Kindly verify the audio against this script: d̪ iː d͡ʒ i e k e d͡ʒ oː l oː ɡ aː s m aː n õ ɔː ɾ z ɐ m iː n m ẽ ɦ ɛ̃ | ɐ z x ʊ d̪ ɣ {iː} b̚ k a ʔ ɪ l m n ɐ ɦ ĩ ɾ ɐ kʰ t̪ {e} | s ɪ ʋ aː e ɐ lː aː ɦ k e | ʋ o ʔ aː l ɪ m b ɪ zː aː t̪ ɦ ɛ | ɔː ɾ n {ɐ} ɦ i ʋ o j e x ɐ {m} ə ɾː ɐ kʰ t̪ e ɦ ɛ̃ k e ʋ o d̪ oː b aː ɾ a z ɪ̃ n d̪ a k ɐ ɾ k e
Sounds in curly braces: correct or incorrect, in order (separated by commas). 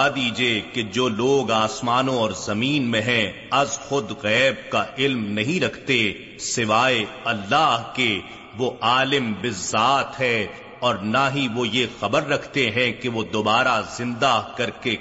incorrect, correct, incorrect, incorrect